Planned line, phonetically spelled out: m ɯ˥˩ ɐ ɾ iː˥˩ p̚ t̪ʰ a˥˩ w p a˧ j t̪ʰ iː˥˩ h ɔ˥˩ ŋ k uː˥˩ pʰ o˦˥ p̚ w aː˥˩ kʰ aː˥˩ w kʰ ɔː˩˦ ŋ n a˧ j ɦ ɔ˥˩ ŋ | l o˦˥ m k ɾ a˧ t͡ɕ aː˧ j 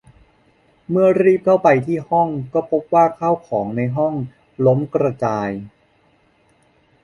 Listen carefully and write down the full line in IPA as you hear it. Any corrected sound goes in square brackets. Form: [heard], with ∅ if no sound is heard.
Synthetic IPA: m ɯ˥˩ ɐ ɾ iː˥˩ p̚ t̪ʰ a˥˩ w p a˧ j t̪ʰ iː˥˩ h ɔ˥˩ ŋ k [ɔː˥˩] pʰ o˦˥ p̚ w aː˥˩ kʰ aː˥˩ w kʰ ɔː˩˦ ŋ n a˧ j ɦ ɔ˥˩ ŋ | l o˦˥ m k ɾ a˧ t͡ɕ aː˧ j